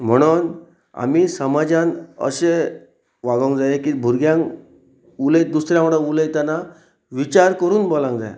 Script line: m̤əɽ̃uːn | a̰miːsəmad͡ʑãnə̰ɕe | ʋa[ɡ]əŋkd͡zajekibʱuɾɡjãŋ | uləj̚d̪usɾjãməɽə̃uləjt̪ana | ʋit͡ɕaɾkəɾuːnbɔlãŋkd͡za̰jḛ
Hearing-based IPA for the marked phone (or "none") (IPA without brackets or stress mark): ɡ